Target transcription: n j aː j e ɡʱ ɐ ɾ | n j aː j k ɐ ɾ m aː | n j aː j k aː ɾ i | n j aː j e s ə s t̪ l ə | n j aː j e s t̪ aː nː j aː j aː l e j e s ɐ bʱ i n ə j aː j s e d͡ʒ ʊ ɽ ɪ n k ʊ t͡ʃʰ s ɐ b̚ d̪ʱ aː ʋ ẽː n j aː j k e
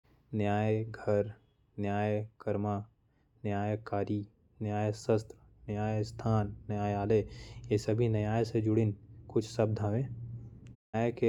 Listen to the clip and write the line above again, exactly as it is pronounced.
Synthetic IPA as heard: n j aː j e ɡʱ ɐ ɾ | n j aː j k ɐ ɾ m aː | n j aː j k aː ɾ i | n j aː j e s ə s t̪ ɾ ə | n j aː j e s t̪ʰ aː nː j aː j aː l e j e s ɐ bʱ i n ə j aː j s e d͡ʒ ʊ ɽ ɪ n k ʊ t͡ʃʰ s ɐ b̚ d̪ʱ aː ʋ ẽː n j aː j k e